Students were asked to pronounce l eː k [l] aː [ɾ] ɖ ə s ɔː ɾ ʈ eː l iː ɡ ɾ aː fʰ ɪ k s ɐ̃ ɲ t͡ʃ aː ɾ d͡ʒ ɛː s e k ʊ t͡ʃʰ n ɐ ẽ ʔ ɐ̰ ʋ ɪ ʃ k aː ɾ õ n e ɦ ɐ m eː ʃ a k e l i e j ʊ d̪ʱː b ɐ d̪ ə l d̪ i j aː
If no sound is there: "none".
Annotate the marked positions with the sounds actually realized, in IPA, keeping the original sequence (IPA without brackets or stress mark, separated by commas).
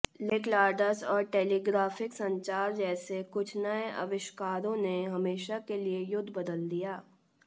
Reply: l, ɾ